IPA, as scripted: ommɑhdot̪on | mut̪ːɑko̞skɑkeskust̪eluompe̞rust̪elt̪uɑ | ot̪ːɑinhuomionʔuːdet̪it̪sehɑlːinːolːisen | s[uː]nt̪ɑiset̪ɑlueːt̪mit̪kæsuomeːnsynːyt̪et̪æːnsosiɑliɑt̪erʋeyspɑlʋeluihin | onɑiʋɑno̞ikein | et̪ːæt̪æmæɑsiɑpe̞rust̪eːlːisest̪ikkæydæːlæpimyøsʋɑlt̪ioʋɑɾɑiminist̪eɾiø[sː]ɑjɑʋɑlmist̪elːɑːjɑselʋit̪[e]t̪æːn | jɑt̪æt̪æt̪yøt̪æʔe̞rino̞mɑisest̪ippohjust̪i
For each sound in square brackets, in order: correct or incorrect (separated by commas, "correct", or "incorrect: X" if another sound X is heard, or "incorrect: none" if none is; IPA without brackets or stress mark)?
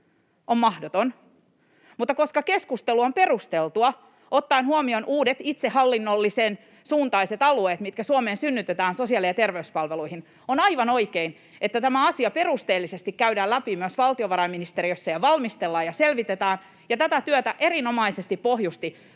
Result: correct, correct, correct